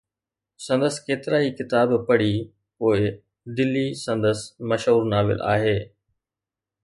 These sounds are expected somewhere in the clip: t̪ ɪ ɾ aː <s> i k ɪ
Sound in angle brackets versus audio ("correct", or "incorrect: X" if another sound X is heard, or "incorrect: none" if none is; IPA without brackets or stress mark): incorrect: none